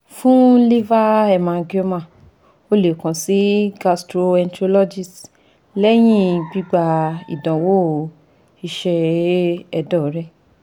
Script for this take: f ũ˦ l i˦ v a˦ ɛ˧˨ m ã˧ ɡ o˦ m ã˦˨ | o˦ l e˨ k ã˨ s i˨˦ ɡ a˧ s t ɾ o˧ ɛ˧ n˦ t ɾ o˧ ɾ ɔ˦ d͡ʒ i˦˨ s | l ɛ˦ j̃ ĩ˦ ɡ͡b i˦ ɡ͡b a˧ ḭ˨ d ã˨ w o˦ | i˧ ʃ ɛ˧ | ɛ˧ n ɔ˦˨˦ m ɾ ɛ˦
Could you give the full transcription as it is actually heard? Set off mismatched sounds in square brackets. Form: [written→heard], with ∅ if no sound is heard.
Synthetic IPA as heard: f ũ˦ l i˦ v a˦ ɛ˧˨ m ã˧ ɡ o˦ m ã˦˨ | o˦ l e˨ k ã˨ s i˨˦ ɡ a˧ s t ɾ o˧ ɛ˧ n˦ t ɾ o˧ [ɾ→l] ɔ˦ d͡ʒ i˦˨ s | l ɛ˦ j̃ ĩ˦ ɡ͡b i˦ ɡ͡b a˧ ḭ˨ d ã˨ w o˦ | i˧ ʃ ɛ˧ | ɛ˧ [n→d] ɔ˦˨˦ [m→∅] ɾ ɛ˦